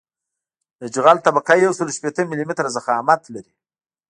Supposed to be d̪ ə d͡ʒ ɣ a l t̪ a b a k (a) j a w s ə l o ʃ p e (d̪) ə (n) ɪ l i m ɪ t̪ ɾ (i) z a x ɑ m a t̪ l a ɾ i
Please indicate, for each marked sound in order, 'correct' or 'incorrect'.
correct, incorrect, incorrect, incorrect

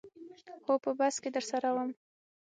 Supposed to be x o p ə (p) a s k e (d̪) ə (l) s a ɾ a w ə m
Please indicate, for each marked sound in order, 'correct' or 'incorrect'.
incorrect, correct, incorrect

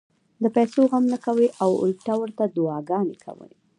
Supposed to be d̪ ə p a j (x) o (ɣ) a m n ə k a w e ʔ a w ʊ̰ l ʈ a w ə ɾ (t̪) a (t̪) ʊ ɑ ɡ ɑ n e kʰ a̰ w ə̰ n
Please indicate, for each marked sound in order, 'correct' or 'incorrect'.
incorrect, correct, correct, incorrect

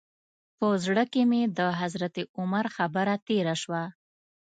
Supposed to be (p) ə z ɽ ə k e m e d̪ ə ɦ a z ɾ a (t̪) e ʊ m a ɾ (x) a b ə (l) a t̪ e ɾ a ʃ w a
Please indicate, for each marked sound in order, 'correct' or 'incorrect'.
correct, correct, correct, incorrect

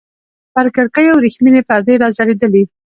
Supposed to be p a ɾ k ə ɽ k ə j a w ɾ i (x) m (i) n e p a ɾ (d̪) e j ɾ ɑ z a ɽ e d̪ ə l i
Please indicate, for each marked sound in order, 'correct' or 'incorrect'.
correct, correct, correct

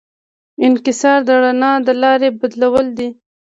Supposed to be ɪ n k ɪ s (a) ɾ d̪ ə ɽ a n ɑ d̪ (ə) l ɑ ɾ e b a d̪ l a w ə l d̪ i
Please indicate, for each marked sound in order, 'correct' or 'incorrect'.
incorrect, correct

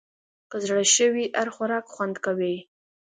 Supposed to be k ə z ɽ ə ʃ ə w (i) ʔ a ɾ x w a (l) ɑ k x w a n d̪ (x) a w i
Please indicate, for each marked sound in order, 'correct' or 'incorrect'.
correct, incorrect, incorrect

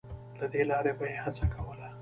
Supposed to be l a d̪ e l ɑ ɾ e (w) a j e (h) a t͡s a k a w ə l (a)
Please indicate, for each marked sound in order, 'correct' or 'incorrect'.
incorrect, correct, correct

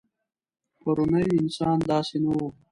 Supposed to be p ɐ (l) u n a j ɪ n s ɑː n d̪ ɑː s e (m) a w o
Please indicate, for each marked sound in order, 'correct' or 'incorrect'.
incorrect, incorrect

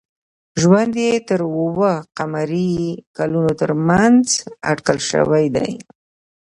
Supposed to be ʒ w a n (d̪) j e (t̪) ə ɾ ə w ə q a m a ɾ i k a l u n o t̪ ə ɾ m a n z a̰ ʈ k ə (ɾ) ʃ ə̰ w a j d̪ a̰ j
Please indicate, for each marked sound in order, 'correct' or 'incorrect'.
correct, correct, incorrect

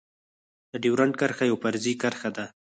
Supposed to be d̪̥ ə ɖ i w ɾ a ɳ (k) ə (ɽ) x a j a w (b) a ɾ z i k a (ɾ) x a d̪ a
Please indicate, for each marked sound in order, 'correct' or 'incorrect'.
correct, incorrect, incorrect, correct

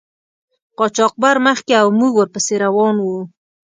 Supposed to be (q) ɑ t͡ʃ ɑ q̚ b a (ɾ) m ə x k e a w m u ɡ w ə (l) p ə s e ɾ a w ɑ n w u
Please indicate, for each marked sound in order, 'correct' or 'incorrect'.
correct, correct, incorrect

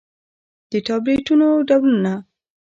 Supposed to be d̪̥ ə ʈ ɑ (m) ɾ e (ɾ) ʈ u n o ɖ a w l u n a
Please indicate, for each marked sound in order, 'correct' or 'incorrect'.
incorrect, incorrect

